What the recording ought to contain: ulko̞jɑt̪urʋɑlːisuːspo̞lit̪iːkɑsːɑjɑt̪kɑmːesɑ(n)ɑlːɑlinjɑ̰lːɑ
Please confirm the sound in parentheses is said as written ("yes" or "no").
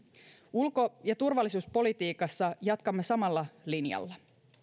no